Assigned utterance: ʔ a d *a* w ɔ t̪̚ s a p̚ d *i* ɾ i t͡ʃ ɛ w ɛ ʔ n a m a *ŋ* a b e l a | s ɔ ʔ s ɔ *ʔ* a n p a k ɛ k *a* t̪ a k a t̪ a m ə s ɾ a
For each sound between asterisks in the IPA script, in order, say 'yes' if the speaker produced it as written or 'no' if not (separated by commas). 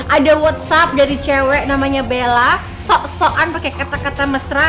yes, no, no, yes, yes